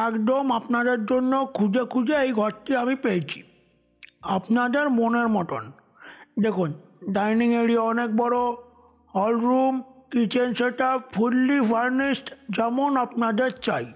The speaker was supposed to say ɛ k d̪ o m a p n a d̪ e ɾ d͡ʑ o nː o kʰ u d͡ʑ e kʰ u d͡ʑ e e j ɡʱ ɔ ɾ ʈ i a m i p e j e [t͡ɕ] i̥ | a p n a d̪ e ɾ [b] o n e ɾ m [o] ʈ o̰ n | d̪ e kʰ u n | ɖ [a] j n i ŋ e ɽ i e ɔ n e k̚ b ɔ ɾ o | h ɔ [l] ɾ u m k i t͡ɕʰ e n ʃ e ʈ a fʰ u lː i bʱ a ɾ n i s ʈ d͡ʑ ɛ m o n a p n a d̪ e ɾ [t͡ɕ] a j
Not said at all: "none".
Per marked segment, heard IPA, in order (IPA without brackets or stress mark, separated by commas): t͡ɕʰ, m, ɔ, a, l, t͡ɕ